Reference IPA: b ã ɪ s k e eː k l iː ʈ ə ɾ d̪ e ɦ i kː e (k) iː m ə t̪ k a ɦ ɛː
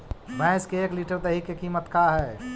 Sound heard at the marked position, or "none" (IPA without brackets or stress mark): k